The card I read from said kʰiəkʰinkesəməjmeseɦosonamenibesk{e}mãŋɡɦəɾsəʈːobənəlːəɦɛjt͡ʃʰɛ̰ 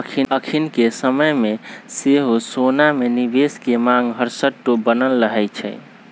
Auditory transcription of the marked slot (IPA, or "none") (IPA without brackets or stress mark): e